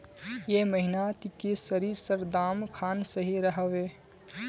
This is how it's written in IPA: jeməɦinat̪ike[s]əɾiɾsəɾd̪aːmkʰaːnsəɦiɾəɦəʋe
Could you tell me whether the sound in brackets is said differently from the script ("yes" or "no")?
no